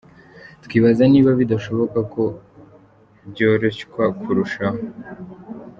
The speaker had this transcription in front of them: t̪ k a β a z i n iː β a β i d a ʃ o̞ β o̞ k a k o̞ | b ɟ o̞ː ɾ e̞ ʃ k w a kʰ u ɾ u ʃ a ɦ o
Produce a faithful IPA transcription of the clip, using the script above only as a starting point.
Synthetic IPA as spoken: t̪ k i β a z a n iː β a β i d a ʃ o̞ β o̞ k a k o̞ | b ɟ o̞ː ɾ e̞ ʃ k w a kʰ u ɾ u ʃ a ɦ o